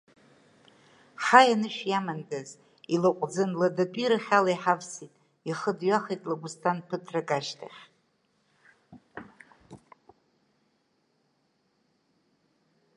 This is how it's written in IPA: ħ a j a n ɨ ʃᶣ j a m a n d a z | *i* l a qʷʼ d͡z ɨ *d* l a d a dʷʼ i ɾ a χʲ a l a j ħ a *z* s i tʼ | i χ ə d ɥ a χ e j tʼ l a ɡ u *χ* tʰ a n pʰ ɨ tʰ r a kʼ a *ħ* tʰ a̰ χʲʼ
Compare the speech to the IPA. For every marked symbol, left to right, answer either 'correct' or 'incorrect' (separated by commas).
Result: correct, incorrect, incorrect, incorrect, incorrect